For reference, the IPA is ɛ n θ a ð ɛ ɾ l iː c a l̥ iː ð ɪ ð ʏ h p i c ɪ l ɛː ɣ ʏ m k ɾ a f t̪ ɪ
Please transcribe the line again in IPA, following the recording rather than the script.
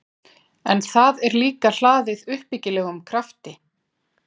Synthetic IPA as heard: ɛ n θ a ð ɛ ɾ l iː k a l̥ aː ð ɪ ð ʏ h p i c ɪ l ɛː ɣ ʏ m kʰ ɾ a f t̪ ɪ